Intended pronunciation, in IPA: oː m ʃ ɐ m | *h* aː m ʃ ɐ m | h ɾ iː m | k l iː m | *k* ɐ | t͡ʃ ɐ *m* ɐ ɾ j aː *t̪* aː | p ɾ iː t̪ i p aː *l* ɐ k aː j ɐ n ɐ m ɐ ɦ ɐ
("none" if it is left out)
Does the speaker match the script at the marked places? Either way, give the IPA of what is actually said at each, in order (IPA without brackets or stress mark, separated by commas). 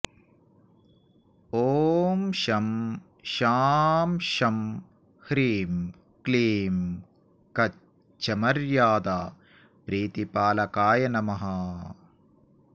ʃ, k, m, d̪, l